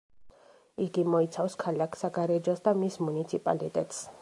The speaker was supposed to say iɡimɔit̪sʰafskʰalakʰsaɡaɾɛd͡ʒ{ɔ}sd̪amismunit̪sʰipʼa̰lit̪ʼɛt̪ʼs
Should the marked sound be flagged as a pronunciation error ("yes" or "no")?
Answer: no